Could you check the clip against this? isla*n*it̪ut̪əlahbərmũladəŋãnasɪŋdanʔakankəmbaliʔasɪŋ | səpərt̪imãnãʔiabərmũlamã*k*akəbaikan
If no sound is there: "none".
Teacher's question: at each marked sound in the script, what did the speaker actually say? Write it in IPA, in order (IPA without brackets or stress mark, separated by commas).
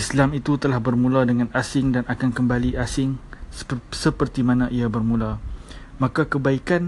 m, k